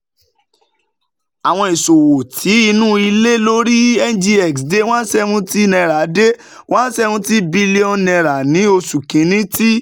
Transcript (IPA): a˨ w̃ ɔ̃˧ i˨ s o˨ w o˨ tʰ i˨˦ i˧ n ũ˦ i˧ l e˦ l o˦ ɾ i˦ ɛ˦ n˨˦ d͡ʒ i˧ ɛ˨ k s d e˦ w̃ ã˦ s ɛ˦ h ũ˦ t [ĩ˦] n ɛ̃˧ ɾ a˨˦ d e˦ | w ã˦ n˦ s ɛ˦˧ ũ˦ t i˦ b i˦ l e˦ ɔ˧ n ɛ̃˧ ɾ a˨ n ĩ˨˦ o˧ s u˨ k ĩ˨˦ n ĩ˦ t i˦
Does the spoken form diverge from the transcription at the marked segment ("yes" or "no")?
yes